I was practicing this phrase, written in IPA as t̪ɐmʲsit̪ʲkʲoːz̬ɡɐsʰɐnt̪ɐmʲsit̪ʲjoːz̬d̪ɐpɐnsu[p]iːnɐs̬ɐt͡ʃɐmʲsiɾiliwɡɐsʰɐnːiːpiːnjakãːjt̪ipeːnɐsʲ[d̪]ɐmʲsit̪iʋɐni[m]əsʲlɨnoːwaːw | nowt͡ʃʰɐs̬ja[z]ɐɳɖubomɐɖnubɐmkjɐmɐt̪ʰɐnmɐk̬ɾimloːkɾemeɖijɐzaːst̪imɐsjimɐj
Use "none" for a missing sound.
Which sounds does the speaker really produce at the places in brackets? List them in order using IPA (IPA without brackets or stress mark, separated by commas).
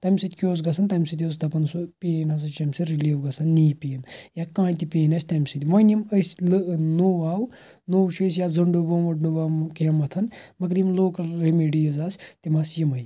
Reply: p, t̪, m, z